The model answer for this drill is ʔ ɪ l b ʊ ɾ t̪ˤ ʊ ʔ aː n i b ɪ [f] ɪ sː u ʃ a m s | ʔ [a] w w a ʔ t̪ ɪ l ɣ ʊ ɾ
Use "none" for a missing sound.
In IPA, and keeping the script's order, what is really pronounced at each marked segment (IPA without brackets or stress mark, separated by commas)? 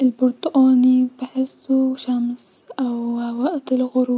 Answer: ħ, a